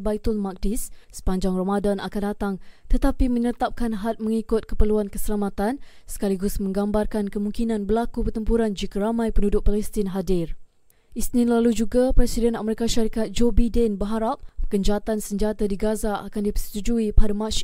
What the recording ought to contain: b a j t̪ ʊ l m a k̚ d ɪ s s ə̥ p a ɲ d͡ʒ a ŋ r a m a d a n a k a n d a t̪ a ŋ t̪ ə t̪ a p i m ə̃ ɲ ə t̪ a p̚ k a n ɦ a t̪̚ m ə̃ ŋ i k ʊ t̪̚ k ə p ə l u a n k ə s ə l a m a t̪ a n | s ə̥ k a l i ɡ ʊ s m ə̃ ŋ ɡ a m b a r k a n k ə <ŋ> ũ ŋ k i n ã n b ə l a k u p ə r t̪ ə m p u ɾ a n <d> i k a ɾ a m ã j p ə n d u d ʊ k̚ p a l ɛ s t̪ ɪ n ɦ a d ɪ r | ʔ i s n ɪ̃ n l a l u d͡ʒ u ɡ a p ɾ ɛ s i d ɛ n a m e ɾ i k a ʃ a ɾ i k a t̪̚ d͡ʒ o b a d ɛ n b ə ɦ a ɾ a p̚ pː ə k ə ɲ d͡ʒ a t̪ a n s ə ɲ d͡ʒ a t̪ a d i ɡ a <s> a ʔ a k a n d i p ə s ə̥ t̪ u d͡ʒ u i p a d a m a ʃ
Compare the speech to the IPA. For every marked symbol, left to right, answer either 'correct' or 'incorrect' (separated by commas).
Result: incorrect, incorrect, incorrect